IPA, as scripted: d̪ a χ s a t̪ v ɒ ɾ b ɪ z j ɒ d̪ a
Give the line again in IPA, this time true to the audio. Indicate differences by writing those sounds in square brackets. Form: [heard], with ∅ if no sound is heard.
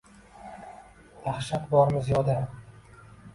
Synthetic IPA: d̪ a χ [ʃ] a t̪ [b] ɒ ɾ [m] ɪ z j ɒ d̪ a